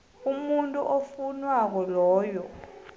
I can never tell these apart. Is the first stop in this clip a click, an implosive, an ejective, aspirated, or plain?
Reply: ejective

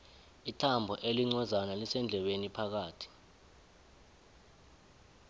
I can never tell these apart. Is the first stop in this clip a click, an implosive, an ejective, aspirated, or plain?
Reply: aspirated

